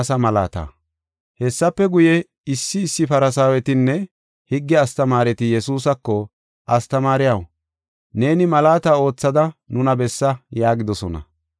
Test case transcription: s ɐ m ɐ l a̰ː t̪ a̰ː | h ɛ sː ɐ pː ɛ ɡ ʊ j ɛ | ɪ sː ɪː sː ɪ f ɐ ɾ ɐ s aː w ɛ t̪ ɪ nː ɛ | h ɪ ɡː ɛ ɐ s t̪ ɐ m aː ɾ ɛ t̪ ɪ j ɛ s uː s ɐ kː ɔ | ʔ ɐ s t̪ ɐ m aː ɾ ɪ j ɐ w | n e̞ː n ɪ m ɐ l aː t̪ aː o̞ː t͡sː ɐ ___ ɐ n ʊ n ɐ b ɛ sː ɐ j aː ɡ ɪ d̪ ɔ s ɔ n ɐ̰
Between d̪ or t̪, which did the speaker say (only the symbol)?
d̪